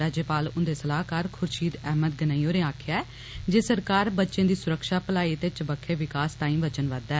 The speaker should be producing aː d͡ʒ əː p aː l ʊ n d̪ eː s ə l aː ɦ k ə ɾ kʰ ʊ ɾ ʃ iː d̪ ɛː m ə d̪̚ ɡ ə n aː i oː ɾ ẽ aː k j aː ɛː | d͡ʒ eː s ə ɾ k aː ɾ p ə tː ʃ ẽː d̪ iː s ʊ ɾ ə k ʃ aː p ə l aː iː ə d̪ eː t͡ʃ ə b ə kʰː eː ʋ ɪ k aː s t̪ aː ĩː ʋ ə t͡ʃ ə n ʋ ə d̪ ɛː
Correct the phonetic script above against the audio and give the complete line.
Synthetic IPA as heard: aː d͡ʒ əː p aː l ʊ n d̪ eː s ə l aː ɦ k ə ɾ kʰ ʊ ɾ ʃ iː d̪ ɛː m ə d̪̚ ɡ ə n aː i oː ɾ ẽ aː kʰ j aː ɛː | d͡ʒ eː s ə ɾ k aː ɾ b ə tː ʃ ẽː d̪ iː s ʊ ɾ ə k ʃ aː p ə l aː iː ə t̪ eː t͡ʃ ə b ə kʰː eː ʋ ɪ k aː s t̪ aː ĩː ʋ ə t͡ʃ ə n ʋ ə d̪ ɛː